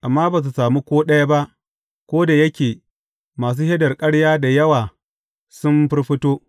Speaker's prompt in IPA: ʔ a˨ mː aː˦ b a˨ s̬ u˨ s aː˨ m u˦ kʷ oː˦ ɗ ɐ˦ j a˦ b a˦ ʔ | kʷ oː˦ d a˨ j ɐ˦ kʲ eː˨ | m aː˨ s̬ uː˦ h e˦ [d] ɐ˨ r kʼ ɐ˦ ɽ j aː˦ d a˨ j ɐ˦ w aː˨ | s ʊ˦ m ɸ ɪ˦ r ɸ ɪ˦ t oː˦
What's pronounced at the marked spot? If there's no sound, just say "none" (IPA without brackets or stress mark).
d